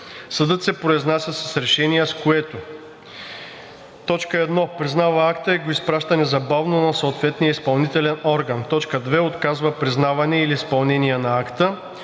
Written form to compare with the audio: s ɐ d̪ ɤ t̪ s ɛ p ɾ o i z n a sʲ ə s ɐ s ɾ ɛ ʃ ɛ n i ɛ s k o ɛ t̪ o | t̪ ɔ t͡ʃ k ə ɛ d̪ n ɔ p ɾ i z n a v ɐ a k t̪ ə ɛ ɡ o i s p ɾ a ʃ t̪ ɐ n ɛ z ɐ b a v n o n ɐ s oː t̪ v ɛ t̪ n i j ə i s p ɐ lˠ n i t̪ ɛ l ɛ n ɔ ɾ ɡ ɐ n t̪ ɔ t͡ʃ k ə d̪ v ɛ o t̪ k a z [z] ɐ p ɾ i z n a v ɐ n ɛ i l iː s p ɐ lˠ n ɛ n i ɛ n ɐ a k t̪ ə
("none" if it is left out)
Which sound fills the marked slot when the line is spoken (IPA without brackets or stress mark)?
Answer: v